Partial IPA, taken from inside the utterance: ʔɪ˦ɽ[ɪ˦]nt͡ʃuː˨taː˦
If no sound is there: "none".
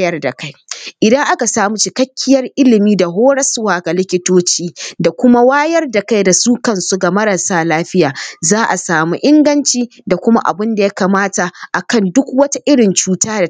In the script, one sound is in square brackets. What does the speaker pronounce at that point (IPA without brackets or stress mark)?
ɪ˨